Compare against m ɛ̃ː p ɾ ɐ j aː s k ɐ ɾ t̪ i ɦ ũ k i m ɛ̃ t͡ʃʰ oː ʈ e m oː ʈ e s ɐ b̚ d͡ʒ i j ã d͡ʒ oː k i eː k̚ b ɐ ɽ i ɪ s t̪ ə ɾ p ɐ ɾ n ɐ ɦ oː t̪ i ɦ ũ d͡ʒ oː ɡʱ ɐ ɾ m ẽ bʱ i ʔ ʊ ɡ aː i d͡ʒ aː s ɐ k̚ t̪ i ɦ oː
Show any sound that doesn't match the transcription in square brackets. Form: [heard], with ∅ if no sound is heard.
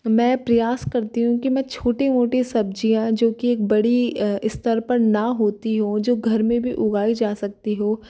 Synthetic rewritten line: m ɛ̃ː p ɾ ɐ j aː s k ɐ ɾ t̪ i ɦ ũ k i m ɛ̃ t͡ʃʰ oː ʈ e m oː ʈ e s ɐ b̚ d͡ʒ i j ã d͡ʒ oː k i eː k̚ b ɐ ɽ i ɪ s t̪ ə ɾ p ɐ ɾ n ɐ ɦ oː t̪ i ɦ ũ d͡ʒ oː ɡʱ ɐ ɾ m ẽ bʱ i ʔ ʊ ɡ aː i d͡ʒ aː s ɐ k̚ t̪ i ɦ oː

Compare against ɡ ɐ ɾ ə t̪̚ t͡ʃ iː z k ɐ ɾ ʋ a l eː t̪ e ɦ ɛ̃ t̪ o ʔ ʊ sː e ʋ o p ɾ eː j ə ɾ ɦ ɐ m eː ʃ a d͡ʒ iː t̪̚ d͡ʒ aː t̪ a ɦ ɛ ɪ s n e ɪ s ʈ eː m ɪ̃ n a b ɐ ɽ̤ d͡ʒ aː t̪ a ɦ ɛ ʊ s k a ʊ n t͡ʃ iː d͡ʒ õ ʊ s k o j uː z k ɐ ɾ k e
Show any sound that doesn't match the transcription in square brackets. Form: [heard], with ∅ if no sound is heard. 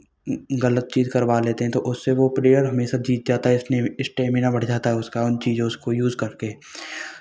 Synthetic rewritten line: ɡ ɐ [l] ə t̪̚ t͡ʃ iː z k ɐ ɾ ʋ a l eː t̪ e ɦ ɛ̃ t̪ o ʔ ʊ sː e ʋ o p ɾ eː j ə ɾ ɦ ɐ m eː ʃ a d͡ʒ iː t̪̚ d͡ʒ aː t̪ a ɦ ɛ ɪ s n e ɪ s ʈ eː m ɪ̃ n a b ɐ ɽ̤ d͡ʒ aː t̪ a ɦ ɛ ʊ s k a ʊ n t͡ʃ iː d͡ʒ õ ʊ s k o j uː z k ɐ ɾ k e

